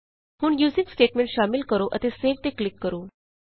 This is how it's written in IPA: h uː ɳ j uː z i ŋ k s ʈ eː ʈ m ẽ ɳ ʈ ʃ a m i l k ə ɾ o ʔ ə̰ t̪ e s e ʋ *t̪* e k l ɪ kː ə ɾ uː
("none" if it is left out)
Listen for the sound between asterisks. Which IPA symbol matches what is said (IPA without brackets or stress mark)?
t̪